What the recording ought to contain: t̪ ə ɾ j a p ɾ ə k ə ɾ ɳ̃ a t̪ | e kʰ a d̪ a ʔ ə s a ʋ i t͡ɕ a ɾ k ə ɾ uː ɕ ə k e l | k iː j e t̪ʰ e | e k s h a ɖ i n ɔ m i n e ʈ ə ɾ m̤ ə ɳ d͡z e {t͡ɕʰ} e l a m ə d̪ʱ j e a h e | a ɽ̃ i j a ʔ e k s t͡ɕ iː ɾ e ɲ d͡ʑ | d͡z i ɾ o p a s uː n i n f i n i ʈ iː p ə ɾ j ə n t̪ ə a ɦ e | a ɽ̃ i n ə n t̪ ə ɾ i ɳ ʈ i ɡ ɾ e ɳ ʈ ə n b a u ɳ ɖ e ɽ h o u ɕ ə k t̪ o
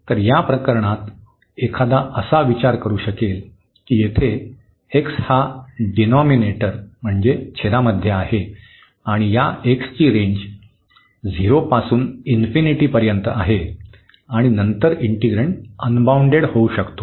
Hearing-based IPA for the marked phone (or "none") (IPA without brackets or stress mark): t͡ɕʰ